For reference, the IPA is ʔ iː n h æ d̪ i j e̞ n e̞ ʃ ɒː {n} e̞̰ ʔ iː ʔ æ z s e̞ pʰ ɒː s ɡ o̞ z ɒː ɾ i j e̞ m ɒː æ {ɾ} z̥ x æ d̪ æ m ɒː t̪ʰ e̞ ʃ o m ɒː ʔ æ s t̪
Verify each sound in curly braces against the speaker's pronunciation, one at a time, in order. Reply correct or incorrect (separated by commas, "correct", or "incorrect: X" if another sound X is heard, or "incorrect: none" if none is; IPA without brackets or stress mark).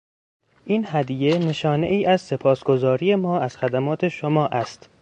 correct, incorrect: none